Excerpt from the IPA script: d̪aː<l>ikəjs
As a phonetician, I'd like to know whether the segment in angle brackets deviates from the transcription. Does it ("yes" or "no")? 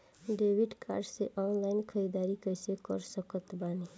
yes